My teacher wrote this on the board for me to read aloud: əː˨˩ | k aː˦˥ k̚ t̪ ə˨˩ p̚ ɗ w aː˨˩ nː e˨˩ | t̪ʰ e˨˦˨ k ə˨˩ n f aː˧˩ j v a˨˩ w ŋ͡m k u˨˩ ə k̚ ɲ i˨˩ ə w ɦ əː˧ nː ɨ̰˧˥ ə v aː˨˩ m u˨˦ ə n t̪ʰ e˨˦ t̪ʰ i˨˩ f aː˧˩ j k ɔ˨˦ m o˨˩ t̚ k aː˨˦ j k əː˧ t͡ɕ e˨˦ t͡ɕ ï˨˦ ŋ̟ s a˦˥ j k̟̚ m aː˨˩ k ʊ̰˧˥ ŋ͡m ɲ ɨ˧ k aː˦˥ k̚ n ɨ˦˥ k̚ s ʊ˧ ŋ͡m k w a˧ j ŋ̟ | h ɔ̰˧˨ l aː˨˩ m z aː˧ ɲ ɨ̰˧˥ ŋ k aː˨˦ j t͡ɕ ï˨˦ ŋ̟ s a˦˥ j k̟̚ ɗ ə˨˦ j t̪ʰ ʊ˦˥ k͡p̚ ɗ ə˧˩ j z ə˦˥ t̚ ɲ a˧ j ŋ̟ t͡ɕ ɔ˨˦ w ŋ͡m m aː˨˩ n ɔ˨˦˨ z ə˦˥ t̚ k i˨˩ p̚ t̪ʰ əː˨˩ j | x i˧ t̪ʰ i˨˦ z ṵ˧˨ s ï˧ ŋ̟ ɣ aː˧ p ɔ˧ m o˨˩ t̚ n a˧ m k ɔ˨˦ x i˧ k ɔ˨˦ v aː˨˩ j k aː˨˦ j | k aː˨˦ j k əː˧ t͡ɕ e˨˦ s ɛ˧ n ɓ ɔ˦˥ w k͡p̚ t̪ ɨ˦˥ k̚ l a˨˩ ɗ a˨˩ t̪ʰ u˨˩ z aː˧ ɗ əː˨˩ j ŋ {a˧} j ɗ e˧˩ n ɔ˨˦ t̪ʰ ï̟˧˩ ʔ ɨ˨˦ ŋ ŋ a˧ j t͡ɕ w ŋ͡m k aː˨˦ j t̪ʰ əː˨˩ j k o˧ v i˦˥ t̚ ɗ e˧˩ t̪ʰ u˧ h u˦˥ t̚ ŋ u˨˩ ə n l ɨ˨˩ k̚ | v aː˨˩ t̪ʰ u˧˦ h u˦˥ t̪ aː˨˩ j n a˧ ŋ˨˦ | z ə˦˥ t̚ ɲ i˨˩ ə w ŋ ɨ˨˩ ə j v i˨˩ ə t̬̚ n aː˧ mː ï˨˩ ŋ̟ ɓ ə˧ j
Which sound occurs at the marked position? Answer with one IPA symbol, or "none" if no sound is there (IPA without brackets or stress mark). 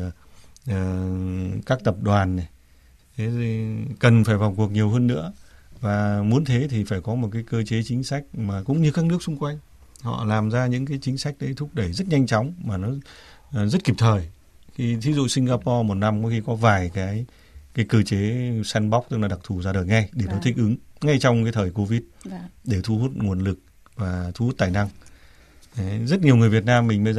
a˧